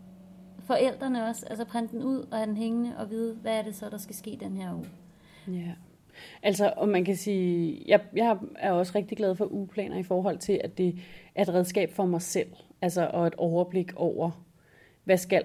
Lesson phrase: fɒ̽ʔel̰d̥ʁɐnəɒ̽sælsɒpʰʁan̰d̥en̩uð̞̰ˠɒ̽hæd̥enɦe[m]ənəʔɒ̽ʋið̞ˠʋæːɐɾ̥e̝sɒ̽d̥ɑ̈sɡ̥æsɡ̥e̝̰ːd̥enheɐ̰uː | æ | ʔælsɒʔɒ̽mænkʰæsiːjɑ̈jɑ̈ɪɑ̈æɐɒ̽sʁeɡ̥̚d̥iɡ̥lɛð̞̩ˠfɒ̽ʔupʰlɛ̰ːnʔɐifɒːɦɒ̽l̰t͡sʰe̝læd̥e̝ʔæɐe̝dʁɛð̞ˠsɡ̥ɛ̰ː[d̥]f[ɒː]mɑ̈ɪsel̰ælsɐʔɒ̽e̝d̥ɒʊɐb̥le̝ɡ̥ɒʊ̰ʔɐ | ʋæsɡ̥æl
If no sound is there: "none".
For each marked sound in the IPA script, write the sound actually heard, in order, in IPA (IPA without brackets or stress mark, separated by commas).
ŋ, b̥, ɒ